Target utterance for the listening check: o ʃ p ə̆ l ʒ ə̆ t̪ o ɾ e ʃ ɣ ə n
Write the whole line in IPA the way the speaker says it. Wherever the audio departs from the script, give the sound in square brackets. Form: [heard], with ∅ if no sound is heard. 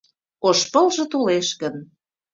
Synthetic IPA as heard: o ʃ p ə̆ l ʒ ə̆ t̪ o [l] e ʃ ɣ ə n